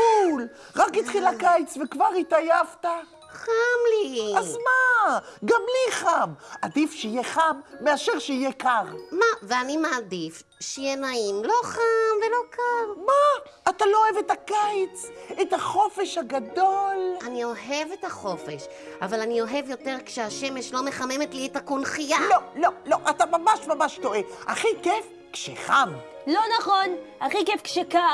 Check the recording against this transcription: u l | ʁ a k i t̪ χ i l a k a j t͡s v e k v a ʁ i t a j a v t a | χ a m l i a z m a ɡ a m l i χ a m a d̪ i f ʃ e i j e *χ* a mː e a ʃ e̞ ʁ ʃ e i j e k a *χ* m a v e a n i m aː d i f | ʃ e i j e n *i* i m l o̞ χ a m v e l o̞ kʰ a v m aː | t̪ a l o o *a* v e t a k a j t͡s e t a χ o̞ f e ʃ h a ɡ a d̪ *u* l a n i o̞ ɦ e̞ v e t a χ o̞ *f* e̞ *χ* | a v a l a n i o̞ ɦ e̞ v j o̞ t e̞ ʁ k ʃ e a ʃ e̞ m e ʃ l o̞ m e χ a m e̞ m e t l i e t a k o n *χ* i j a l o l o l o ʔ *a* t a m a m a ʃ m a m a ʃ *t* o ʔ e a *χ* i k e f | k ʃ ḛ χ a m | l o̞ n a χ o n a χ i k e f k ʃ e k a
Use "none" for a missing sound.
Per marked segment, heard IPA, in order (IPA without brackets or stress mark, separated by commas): χ, ʁ, a, e, o, f, ʃ, χ, a, t, χ